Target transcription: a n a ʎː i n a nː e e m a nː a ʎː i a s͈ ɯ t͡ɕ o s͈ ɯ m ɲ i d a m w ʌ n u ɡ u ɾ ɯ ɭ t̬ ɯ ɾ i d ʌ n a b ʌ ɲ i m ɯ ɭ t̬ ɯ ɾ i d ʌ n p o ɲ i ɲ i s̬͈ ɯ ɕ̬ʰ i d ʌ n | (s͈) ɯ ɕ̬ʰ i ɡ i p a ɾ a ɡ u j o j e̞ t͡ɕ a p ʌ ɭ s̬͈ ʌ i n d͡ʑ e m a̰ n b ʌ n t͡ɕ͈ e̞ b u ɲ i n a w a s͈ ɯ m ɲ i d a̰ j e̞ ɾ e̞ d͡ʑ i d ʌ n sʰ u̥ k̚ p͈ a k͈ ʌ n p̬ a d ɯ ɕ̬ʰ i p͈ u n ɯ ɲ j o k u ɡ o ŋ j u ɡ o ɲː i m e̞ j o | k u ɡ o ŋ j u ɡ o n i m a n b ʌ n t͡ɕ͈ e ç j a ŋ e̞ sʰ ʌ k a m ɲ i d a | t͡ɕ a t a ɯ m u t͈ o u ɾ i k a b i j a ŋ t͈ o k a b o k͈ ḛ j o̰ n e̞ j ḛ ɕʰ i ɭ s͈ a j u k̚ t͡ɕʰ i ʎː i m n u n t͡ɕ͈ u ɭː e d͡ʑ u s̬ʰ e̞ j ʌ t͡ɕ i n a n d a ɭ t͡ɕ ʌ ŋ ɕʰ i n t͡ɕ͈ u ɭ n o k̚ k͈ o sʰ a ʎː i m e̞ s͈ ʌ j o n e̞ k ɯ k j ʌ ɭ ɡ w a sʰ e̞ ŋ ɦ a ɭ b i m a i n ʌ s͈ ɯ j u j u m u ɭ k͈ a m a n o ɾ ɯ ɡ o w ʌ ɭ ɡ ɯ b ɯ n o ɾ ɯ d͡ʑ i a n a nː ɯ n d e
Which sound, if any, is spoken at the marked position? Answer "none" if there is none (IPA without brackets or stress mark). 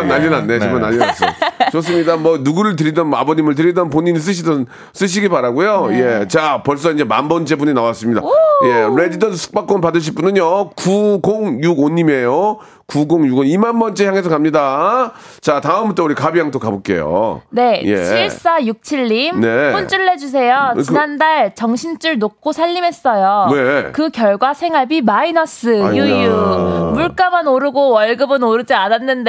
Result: s͈